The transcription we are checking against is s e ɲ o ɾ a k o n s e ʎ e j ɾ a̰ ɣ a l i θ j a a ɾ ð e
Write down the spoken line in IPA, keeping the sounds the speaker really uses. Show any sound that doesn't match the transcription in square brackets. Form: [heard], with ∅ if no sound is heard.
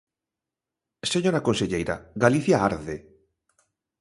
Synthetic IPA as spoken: s e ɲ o ɾ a k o n s e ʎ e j ɾ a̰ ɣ a l i θ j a a ɾ ð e